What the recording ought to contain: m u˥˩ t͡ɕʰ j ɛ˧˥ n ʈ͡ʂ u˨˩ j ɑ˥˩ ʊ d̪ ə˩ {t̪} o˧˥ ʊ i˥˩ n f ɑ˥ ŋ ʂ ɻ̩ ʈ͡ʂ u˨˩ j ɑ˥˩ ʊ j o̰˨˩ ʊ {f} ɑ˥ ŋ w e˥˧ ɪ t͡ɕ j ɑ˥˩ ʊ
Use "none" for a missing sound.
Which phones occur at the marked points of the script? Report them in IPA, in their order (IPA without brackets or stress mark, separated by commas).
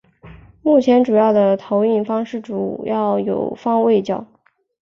t̪ʰ, f